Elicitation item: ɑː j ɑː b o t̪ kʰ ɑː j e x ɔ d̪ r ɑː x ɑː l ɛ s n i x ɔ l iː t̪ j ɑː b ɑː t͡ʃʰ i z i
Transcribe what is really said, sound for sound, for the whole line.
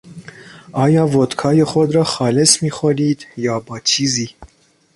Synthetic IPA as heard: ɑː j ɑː v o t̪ kʰ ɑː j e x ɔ d̪ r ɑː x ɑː l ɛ s m i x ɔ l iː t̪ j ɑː b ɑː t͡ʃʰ i z i